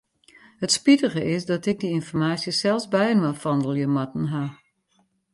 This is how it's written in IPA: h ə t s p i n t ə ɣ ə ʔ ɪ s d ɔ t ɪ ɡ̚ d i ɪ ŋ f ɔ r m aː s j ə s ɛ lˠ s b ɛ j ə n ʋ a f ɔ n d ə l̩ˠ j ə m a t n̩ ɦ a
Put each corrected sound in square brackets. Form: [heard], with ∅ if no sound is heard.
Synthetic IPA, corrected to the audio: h ə t s p i [∅] t ə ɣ ə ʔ ɪ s d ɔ t ɪ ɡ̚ d i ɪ [n] f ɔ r m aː s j ə s ɛ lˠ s b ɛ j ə n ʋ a f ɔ n d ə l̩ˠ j ə m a t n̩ ɦ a